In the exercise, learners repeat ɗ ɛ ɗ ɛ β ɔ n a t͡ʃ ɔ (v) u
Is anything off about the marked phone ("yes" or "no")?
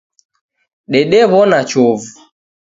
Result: no